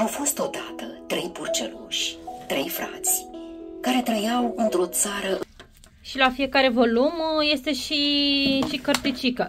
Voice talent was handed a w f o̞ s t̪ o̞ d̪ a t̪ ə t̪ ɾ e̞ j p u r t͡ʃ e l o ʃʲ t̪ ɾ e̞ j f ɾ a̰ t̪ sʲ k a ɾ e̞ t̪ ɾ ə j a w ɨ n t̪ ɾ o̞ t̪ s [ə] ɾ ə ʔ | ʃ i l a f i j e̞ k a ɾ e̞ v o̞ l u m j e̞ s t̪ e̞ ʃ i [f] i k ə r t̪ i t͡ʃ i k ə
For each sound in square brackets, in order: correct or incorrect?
incorrect: a, incorrect: ʃ

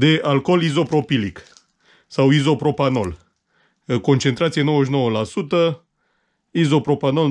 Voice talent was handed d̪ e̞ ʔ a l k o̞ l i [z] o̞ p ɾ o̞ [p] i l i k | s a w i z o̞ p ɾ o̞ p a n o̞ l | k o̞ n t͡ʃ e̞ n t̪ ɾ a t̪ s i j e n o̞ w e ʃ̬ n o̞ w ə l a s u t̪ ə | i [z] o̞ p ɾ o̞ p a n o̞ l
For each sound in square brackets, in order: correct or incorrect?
correct, correct, correct

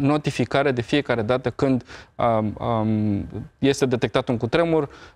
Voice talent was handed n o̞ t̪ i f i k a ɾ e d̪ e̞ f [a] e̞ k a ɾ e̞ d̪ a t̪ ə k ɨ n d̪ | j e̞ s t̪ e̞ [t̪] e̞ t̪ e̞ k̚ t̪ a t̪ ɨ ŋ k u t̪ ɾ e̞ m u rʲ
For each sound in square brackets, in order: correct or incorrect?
incorrect: i, incorrect: d̪

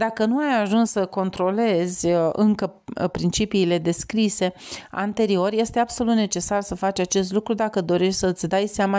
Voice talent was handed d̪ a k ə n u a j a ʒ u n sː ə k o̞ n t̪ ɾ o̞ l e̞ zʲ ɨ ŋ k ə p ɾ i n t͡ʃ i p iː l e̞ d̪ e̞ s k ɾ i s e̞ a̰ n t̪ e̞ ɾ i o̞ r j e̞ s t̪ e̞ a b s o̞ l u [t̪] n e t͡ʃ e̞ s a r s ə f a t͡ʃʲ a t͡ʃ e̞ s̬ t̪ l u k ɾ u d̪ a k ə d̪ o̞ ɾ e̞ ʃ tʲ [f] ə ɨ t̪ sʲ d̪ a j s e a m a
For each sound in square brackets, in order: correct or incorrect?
correct, incorrect: s

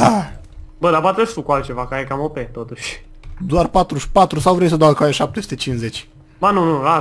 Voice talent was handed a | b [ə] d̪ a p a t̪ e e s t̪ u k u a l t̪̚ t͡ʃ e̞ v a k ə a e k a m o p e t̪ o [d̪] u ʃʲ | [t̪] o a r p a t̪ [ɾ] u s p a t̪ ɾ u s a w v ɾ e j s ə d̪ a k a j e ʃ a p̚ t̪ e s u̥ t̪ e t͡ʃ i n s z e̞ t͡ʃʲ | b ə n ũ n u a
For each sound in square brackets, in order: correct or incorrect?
correct, incorrect: t̪, incorrect: d̪, correct

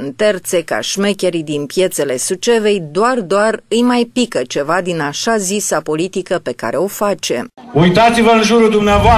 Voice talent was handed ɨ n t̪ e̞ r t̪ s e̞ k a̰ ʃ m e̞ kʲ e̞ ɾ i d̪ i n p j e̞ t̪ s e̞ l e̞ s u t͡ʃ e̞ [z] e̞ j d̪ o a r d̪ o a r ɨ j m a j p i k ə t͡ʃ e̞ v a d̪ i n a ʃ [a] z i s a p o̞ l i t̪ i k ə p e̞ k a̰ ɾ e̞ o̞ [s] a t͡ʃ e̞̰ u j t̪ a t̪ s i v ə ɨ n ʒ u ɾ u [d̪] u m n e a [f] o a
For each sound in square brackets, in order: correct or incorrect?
incorrect: v, correct, incorrect: f, correct, incorrect: v

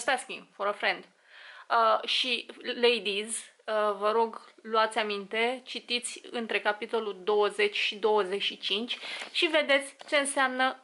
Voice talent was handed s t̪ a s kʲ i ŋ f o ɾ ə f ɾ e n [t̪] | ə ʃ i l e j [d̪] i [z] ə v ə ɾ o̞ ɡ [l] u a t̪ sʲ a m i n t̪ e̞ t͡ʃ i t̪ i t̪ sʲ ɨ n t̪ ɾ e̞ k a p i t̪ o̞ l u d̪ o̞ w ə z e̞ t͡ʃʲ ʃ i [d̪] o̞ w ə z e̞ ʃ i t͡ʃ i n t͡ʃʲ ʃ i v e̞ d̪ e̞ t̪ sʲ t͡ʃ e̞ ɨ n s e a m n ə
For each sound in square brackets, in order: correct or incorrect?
incorrect: d̪, correct, correct, correct, correct

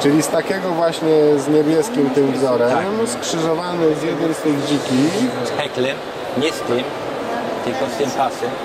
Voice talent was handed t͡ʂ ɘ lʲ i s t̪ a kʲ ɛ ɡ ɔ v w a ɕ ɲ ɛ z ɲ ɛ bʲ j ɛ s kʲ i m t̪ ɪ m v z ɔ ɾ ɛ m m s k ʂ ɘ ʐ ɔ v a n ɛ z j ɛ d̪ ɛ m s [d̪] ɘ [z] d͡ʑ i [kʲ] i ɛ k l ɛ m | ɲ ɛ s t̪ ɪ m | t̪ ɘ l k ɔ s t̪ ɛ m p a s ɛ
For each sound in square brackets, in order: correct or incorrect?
incorrect: t̪, incorrect: ɣ, correct

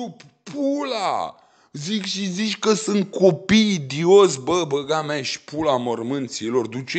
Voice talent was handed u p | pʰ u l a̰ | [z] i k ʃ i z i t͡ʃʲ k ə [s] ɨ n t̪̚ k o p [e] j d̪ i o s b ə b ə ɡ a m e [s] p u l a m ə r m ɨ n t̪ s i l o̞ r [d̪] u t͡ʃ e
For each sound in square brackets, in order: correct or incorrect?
correct, correct, incorrect: i, incorrect: ʃ, correct

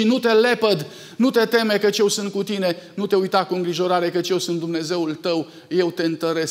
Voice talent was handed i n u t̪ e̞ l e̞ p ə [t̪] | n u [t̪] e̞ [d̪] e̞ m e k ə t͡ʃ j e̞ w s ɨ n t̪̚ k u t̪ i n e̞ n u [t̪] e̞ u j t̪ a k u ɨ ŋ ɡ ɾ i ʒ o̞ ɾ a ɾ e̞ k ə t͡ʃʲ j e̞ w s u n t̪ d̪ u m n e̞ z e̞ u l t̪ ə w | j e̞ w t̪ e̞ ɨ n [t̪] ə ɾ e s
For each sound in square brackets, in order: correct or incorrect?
incorrect: d̪, correct, incorrect: t̪, correct, correct

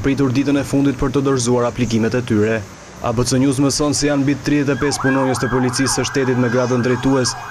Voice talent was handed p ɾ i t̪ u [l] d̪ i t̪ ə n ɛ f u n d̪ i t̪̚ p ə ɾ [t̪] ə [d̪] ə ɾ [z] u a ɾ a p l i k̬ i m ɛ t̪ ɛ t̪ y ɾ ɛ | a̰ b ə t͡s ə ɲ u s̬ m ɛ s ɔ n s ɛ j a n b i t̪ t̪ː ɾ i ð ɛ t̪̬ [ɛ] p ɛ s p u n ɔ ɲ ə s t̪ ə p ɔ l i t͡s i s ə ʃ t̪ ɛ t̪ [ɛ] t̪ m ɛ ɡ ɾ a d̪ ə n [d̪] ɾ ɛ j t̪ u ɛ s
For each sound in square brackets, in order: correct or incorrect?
incorrect: ɾ, correct, correct, correct, correct, incorrect: i, correct

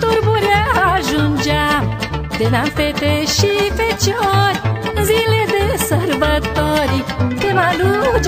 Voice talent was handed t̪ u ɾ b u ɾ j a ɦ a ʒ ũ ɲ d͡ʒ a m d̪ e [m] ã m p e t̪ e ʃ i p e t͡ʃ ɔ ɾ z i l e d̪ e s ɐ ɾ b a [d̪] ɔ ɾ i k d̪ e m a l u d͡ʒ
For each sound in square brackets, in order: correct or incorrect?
incorrect: n, incorrect: t̪

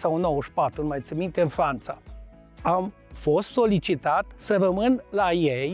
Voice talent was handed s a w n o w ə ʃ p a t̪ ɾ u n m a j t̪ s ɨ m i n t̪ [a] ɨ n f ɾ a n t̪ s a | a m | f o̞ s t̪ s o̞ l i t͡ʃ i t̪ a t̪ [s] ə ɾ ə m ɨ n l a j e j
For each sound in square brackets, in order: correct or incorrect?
incorrect: e, correct

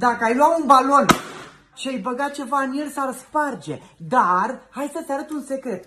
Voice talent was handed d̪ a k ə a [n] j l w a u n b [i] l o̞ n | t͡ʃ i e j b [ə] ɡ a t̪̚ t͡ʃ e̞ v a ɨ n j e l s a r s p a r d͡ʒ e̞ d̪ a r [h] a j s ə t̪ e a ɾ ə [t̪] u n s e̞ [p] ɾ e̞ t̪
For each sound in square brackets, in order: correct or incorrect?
incorrect: none, incorrect: a, correct, correct, correct, incorrect: k

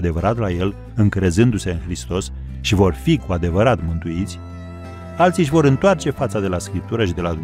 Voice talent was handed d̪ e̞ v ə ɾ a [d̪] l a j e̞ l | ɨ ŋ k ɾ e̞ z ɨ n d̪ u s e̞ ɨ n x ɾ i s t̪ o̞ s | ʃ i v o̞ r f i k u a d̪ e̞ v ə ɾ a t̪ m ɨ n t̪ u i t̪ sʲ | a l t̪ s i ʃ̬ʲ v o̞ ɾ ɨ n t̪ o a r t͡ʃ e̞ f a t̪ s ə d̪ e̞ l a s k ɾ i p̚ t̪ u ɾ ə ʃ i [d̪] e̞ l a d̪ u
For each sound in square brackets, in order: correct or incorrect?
incorrect: t̪, correct

